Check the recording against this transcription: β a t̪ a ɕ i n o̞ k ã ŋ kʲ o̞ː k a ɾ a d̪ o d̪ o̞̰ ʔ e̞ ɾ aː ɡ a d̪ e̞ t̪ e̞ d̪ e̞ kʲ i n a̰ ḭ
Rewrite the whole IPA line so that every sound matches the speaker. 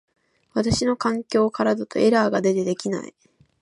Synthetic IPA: β a t̪ a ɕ i n o̞ k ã ŋ kʲ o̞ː k a ɾ a d̪ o t̪ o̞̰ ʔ e̞ ɾ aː ɡ a d̪ e̞ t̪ e̞ d̪ e̞ kʲ i n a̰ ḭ